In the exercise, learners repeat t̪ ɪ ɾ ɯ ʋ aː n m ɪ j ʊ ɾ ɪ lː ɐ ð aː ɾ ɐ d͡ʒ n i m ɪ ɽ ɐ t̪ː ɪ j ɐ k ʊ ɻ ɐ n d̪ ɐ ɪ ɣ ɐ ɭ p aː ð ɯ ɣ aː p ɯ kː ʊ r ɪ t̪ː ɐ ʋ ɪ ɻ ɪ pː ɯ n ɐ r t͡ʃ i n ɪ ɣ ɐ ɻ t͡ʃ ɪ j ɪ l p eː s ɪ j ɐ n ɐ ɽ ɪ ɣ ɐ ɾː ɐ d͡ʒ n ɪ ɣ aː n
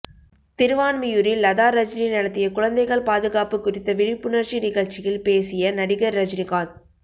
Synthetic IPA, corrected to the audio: t̪ ɪ ɾ ɯ ʋ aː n m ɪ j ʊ ɾ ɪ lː ɐ ð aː ɾ ɐ d͡ʒ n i n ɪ ɽ ɐ t̪ː ɪ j ɐ k ʊ ɻ ɐ n d̪ ɐ ɪ ɣ ɐ ɭ p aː ð ɯ ɣ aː p ɯ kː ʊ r ɪ t̪ː ɐ ʋ ɪ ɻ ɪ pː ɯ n ɐ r t͡ʃ i n ɪ ɣ ɐ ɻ t͡ʃ ɪ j ɪ l p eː s ɪ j ɐ n ɐ ɽ ɪ ɣ ɐ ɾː ɐ d͡ʒ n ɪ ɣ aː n